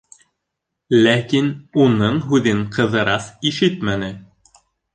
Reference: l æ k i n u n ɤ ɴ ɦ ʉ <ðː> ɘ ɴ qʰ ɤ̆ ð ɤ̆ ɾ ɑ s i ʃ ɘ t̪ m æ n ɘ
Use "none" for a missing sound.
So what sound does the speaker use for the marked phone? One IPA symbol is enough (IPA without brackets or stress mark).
ð